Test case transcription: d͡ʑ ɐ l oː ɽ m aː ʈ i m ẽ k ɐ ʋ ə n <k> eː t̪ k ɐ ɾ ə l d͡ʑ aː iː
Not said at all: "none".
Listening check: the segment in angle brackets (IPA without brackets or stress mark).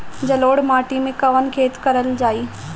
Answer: kʰ